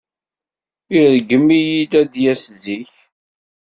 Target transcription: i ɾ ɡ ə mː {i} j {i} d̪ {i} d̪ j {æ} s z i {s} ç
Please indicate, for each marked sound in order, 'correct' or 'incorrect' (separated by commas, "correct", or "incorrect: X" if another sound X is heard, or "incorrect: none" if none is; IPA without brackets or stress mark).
correct, correct, incorrect: æ, correct, incorrect: none